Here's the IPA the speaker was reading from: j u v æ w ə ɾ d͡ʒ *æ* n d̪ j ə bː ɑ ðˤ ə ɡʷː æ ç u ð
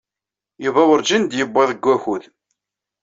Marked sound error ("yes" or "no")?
yes